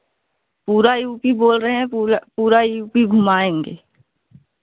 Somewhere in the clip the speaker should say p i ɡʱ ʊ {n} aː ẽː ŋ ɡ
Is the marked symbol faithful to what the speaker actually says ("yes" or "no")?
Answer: no